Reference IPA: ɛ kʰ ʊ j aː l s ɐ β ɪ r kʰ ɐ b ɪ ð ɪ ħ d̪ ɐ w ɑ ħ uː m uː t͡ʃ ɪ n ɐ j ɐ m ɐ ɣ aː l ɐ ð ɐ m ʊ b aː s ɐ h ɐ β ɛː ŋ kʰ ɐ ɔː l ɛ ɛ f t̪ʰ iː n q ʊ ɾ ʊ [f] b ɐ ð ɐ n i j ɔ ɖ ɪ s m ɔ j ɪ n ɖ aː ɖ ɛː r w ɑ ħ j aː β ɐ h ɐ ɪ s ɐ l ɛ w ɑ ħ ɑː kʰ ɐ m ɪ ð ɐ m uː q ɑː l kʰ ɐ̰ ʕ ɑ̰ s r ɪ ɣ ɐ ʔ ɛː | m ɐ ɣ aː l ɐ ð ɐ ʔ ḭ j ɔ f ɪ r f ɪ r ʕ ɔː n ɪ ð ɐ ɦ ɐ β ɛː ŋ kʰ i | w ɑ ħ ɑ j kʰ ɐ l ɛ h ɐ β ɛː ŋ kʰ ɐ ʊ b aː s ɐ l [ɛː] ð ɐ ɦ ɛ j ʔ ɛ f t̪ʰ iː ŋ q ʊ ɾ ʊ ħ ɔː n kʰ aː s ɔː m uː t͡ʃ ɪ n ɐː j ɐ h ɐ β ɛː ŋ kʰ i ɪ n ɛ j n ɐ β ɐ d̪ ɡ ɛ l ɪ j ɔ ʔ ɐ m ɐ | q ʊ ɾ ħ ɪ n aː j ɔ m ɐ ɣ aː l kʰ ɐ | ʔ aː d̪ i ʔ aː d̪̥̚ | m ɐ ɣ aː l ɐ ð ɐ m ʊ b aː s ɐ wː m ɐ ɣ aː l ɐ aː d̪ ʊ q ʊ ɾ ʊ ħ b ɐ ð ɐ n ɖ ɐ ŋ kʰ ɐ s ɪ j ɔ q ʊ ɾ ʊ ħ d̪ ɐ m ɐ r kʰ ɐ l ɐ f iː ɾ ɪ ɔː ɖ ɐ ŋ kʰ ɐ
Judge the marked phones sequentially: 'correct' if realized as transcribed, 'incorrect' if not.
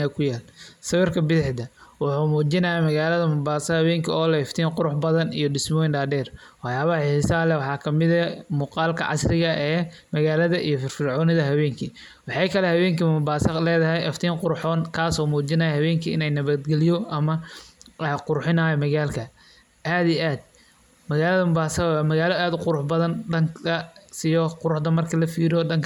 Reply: incorrect, correct

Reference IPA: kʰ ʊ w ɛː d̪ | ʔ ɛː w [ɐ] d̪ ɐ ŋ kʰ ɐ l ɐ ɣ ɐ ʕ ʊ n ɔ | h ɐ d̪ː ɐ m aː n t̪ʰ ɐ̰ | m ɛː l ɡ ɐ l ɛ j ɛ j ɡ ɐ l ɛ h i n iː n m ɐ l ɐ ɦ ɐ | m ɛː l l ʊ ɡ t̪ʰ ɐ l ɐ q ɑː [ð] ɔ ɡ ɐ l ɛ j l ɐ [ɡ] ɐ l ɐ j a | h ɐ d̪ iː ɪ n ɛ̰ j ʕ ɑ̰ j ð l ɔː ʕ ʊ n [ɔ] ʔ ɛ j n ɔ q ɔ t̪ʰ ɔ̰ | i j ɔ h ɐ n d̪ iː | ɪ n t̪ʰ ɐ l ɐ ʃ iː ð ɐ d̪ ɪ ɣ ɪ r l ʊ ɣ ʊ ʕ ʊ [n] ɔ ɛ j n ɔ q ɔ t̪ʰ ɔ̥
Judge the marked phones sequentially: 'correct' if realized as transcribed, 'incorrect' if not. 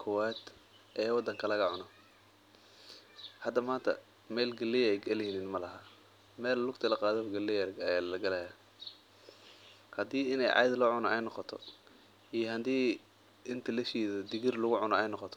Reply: incorrect, correct, correct, correct, correct

